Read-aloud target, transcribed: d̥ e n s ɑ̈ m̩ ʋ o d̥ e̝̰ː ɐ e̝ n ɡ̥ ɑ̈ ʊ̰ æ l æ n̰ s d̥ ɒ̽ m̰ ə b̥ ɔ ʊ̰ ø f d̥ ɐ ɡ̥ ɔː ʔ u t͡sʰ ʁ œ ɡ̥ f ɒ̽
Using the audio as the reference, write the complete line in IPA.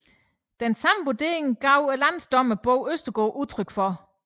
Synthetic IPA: d̥ e n s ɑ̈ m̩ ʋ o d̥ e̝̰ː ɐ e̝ ŋ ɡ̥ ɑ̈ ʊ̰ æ l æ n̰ s d̥ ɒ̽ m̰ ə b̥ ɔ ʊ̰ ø s d̥ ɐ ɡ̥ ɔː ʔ u t͡sʰ ʁ œ ɡ̥ f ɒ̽